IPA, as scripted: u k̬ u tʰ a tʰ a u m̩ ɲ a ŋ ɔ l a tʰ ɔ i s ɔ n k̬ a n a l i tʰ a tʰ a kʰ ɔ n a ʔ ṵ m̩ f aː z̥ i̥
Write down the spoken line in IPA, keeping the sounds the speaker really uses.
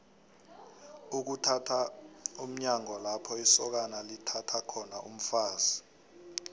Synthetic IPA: u k̬ u tʰ a tʰ a u m̩ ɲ a ŋ ɔ l a pʰ ɔ i s ɔ k̬ a n a l i tʰ a tʰ a kʰ ɔ n a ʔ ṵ m̩ f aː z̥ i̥